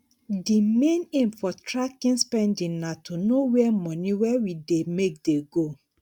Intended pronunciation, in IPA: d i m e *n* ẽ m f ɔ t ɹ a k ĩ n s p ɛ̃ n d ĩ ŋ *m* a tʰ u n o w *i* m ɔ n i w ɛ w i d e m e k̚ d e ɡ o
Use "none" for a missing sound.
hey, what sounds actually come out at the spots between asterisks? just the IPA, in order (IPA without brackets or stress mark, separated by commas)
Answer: n, n, ɛ